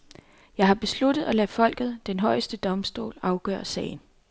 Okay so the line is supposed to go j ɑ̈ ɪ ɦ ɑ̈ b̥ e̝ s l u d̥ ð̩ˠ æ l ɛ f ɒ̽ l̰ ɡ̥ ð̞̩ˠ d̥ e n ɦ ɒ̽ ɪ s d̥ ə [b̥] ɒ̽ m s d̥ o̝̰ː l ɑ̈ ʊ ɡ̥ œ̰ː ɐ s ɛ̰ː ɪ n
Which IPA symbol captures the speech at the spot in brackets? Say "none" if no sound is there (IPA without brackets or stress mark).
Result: d̥